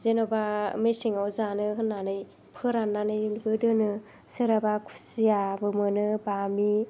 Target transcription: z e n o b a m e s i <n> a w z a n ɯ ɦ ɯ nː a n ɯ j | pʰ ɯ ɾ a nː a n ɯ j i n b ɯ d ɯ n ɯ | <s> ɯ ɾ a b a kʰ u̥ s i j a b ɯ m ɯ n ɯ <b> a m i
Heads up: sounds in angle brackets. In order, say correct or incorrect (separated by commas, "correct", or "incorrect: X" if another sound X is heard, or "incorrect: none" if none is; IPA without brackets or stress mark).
incorrect: ŋ, correct, correct